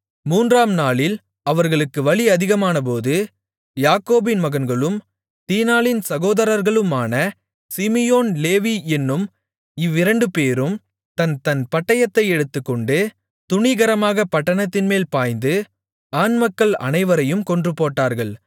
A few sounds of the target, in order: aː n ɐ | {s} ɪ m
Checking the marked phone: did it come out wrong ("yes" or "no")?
no